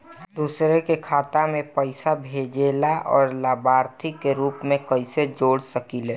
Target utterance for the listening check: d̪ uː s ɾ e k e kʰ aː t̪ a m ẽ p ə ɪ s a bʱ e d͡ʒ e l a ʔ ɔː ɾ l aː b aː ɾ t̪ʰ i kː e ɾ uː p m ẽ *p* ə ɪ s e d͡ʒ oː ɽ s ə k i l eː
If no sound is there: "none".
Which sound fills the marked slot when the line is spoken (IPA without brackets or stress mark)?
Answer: k